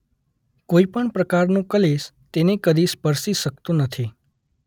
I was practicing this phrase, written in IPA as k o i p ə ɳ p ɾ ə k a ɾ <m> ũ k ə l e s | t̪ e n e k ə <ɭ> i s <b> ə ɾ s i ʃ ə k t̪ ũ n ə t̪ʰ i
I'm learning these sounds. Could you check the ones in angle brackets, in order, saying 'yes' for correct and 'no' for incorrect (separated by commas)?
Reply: no, no, no